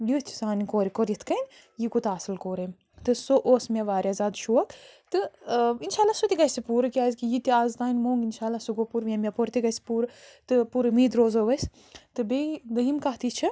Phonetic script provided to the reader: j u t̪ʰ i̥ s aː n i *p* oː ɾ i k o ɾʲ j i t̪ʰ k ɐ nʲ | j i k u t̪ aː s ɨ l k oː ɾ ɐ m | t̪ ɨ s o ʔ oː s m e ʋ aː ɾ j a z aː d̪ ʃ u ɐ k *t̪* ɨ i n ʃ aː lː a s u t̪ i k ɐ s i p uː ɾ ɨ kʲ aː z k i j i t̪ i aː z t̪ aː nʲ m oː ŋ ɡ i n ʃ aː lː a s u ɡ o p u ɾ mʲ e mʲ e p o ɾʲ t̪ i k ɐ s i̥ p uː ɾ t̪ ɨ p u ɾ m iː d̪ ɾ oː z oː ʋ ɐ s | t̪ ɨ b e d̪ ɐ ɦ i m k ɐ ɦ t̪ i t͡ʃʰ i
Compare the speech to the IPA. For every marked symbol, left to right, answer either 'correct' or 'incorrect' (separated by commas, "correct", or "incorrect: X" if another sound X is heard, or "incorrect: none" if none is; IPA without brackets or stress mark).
incorrect: k, correct